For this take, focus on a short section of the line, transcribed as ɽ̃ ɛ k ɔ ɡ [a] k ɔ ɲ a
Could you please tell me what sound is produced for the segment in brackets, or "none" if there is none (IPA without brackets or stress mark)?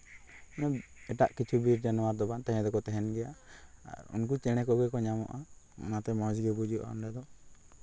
ɛ